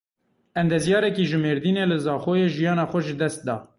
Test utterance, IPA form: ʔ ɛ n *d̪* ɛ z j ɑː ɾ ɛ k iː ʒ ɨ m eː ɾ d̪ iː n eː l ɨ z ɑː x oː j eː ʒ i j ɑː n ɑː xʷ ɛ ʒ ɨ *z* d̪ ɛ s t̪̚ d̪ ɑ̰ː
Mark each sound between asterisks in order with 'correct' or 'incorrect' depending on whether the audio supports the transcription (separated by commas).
correct, incorrect